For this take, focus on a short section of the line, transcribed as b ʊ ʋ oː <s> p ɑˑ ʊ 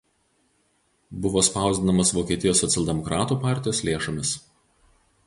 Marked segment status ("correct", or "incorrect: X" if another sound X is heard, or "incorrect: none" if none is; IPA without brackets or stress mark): correct